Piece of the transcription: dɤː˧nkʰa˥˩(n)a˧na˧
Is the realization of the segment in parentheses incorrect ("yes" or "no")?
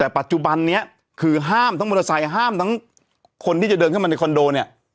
yes